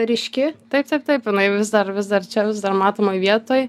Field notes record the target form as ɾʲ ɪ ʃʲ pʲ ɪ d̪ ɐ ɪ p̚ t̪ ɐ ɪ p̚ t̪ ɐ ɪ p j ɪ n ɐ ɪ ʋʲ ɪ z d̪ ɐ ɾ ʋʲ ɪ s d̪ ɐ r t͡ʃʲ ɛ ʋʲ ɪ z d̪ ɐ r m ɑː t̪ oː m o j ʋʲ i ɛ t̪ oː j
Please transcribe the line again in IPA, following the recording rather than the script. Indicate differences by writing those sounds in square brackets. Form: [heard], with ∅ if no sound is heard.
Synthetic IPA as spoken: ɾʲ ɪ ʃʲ [kʲ] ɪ [t̪] ɐ ɪ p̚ t̪ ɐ ɪ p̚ t̪ ɐ ɪ p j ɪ n ɐ ɪ ʋʲ ɪ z d̪ ɐ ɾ ʋʲ ɪ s d̪ ɐ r t͡ʃʲ ɛ ʋʲ ɪ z d̪ ɐ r m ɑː t̪ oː m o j ʋʲ i ɛ t̪ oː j

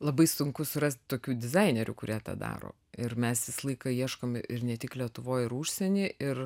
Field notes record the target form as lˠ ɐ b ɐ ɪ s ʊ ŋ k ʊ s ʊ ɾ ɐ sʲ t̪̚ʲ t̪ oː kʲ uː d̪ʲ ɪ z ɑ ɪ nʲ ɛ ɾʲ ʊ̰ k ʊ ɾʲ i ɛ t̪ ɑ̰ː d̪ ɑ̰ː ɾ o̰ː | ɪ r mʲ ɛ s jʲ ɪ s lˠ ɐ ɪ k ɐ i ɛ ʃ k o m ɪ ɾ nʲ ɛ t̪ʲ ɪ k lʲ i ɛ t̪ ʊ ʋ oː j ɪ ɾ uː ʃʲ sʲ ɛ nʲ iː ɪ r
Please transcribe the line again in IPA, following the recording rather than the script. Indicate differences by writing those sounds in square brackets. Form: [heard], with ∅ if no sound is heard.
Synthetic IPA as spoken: lˠ ɐ b ɐ ɪ s ʊ ŋ k ʊ s ʊ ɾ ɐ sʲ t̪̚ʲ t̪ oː kʲ uː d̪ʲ ɪ z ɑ ɪ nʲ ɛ ɾʲ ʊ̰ k ʊ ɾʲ i ɛ t̪ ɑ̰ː d̪ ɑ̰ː ɾ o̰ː | ɪ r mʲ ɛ s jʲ ɪ s lˠ ɐ ɪ k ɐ i ɛ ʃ k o m ɪ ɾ nʲ ɛ t̪ʲ ɪ k lʲ i ɛ t̪ ʊ ʋ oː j ɪ ɾ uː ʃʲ sʲ ɛ nʲ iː ɪ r

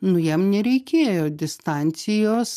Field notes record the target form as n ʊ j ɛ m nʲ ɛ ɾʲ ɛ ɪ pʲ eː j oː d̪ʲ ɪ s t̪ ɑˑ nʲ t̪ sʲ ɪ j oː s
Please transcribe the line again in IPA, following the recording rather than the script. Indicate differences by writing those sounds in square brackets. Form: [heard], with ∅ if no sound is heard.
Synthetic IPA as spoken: n ʊ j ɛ m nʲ ɛ ɾʲ ɛ ɪ [kʲ] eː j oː d̪ʲ ɪ s t̪ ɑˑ nʲ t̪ sʲ ɪ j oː s

